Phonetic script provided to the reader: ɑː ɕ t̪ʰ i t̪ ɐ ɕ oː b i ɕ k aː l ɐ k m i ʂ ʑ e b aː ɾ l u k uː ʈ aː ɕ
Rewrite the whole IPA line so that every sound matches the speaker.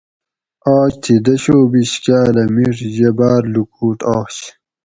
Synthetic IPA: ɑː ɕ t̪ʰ i d̪ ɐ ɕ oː b i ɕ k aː l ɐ m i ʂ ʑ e b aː ɾ l u k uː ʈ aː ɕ